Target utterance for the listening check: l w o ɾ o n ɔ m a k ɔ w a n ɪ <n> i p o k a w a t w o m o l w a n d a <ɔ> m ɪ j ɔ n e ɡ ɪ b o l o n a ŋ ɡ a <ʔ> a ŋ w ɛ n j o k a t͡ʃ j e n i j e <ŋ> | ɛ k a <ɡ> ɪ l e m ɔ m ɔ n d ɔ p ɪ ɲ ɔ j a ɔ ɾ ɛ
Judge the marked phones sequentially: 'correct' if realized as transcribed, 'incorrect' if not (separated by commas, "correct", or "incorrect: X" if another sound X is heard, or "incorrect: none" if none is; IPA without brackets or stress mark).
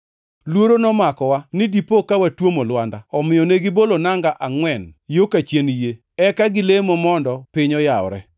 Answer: incorrect: d, correct, correct, incorrect: none, correct